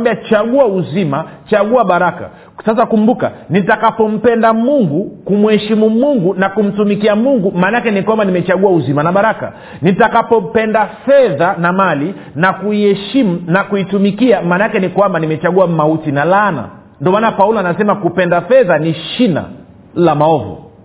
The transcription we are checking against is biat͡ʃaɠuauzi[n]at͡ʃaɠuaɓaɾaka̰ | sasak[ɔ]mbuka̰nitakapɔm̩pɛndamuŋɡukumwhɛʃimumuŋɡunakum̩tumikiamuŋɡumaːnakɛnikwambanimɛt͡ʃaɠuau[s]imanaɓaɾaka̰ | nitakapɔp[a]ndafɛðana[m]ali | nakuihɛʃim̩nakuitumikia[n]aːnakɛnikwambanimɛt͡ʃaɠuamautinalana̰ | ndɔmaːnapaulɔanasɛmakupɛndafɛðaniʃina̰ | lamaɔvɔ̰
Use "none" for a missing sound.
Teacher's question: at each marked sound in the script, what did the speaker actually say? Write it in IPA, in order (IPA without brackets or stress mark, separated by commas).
m, u, z, ɛ, m, m